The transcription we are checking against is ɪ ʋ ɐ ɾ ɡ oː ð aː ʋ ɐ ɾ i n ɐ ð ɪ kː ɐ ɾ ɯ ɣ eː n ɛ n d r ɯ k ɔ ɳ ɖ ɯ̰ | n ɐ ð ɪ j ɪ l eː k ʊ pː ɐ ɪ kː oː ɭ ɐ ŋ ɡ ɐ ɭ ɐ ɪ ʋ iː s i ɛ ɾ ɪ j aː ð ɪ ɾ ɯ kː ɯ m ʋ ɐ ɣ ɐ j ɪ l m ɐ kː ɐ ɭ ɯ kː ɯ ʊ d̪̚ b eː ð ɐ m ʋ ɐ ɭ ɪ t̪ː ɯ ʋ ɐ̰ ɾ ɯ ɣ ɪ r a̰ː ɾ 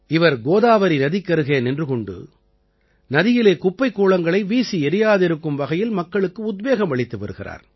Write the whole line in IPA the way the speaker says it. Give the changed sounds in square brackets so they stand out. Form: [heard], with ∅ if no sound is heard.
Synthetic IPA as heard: ɪ ʋ ɐ ɾ ɡ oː ð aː ʋ ɐ ɾ i n ɐ ð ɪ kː ɐ ɾ ɯ ɣ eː n ɛ n d r ɯ k ɔ ɳ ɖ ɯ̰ | n ɐ ð ɪ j ɪ l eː k ʊ pː ɐ ɪ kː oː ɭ ɐ ŋ ɡ ɐ ɭ ɐ ɪ ʋ iː s i ɛ ɾ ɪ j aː ð ɪ ɾ ɯ kː ɯ m ʋ ɐ ɣ ɐ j ɪ l m ɐ kː ɐ ɭ ɯ kː ɯ ʊ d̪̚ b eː [ɣ] ɐ m ʋ ɐ ɭ ɪ t̪ː ɯ ʋ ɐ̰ ɾ ɯ ɣ ɪ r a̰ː ɾ